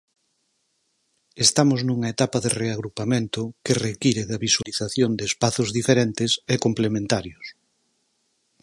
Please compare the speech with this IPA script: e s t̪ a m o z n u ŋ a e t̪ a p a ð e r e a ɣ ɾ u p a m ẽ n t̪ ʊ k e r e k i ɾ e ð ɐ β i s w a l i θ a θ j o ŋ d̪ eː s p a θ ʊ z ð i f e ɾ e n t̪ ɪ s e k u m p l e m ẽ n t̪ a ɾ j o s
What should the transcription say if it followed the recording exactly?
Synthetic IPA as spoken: e s t̪ a m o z n u ŋ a e t̪ a p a ð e r e a ɣ ɾ u p a m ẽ n t̪ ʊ k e r e k i ɾ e ð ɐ β i s w a l i θ a θ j o n d̪ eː s p a θ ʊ z ð i f e ɾ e n t̪ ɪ s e k o m p l e m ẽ n t̪ a ɾ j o s